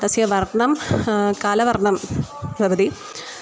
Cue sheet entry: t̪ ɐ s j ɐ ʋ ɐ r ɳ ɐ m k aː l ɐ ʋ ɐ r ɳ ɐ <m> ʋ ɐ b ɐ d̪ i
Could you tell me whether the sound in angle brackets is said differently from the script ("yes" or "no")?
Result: no